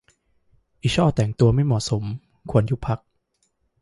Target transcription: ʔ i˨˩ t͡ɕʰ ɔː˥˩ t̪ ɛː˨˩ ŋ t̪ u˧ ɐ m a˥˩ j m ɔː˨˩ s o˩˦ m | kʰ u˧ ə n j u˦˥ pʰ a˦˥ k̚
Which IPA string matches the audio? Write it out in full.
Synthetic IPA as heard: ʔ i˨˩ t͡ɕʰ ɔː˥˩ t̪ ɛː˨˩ ŋ t̪ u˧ ɐ m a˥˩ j m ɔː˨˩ s o˩˦ m | kʰ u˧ ə n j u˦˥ pʰ a˦˥ k̚